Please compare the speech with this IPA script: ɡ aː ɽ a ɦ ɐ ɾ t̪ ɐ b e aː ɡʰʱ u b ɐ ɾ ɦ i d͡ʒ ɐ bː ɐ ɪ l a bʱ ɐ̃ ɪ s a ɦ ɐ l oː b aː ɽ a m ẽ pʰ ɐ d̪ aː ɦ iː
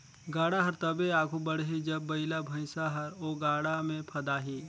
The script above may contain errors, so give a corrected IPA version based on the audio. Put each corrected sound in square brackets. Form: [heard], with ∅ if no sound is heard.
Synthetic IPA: ɡ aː ɽ a ɦ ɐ ɾ t̪ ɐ b e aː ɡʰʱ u b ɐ [ɽ] ɦ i d͡ʒ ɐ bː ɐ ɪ l a bʱ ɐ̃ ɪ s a ɦ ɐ [ɾ] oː [ɡ] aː ɽ a m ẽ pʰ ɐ d̪ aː ɦ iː